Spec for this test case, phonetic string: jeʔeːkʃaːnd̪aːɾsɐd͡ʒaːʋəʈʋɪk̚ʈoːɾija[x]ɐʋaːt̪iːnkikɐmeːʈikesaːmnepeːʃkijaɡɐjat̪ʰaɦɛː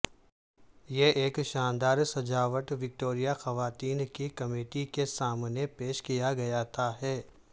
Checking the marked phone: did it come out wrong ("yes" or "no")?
no